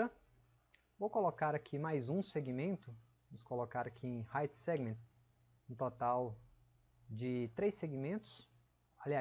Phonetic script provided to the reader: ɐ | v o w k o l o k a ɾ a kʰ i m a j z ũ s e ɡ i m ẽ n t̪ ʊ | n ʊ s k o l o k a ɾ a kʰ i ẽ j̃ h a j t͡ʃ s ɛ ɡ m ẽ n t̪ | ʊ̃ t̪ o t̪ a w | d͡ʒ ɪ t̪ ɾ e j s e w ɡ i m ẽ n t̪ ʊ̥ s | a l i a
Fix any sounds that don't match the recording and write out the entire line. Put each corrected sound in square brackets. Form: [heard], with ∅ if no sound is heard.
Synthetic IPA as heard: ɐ | v o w k o l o k a ɾ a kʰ i m a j z ũ s e ɡ i m ẽ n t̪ ʊ | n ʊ s k o l o k a ɾ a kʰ i ẽ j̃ h a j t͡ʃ s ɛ ɡ m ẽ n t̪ | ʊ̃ t̪ o t̪ a w | d͡ʒ ɪ t̪ ɾ e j s e [∅] ɡ i m ẽ n t̪ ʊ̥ s | a l i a